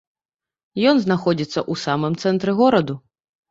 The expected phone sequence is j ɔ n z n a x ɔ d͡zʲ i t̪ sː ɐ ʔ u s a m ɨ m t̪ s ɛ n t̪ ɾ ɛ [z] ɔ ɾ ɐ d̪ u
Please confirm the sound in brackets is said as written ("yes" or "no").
no